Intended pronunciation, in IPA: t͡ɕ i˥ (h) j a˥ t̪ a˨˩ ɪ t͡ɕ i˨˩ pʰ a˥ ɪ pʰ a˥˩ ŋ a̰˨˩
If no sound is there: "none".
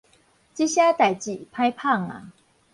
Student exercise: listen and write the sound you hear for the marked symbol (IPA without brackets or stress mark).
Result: ɕ